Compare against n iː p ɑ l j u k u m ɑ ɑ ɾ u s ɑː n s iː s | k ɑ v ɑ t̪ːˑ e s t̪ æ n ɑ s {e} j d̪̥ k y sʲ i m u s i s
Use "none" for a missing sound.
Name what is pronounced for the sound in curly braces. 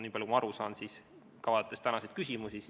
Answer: e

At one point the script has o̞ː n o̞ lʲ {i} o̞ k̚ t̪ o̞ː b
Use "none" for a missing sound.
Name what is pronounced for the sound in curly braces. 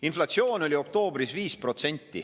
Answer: i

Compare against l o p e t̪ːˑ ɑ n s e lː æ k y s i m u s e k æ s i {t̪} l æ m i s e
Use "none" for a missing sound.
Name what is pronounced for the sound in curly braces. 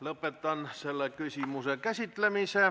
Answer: t̪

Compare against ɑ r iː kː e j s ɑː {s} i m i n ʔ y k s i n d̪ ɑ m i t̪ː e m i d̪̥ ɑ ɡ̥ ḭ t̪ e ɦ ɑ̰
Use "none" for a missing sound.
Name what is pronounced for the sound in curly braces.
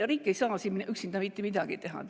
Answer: s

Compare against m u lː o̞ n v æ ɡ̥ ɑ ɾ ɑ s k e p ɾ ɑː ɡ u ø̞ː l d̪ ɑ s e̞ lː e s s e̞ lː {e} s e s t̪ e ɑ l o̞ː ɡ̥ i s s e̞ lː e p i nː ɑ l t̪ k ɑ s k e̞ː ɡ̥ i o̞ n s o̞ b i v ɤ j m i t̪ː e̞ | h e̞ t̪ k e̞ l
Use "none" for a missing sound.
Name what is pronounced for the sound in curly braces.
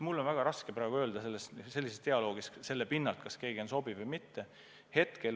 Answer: i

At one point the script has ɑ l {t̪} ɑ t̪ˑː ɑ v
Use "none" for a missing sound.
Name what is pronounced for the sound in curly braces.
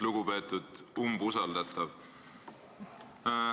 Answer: d̪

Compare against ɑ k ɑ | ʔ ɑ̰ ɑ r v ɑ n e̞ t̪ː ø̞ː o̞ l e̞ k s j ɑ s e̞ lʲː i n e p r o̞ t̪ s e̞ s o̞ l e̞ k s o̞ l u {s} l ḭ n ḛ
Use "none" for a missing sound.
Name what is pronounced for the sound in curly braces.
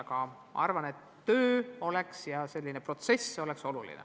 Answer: none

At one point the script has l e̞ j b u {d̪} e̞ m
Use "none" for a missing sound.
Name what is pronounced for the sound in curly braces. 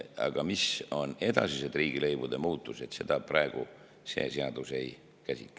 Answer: d̪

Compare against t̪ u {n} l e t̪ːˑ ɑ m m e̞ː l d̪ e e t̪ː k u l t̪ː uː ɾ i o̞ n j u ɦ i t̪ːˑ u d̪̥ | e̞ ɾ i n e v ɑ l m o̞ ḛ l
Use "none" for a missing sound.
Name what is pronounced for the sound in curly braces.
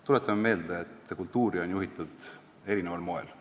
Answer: none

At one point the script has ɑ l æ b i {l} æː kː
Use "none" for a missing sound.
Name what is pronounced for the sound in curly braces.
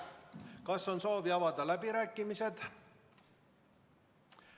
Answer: ɾ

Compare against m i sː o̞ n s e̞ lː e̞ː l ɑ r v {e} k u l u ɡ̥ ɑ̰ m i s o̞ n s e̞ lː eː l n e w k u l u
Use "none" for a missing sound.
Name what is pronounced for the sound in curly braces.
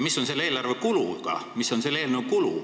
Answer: e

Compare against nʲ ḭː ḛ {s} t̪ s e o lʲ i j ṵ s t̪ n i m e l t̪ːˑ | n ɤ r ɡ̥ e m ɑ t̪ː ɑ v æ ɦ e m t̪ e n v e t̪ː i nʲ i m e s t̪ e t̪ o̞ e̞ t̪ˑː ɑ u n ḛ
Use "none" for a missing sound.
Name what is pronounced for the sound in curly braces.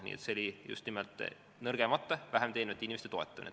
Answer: none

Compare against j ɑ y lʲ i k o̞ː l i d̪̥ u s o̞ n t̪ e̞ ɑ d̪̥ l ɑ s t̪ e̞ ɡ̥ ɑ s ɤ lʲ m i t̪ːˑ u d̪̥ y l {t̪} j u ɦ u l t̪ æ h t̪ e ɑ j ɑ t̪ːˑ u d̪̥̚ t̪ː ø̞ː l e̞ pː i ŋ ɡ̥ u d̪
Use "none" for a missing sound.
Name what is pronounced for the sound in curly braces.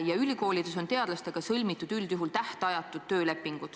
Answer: d̪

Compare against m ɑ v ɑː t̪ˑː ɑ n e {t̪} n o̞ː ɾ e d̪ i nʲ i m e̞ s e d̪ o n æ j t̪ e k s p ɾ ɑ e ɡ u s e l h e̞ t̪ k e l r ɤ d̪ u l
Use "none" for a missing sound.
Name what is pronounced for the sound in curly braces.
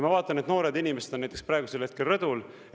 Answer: t̪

